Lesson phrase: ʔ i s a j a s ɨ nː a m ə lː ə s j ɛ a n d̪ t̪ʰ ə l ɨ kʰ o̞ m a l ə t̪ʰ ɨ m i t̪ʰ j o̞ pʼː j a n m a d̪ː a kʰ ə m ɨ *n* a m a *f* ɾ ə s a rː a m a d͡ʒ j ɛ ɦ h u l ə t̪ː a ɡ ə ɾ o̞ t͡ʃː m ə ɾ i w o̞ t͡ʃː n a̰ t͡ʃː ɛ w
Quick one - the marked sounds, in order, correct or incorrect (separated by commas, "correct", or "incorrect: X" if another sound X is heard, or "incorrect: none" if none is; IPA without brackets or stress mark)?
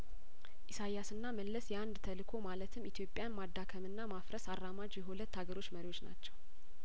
incorrect: nː, correct